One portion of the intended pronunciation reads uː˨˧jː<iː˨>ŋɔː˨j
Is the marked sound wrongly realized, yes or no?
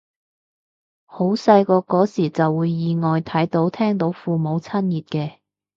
no